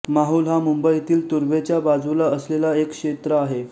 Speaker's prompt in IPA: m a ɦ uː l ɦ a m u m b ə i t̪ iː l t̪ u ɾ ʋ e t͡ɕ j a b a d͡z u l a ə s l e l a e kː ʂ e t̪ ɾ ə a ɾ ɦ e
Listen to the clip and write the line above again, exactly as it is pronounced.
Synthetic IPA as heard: m a ɦ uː l ɦ a m u m b ə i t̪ iː l t̪ u ɾ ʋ e t͡ɕ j a b a d͡z u l a ə s l e l a e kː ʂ e t̪ ɾ ə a ɦ e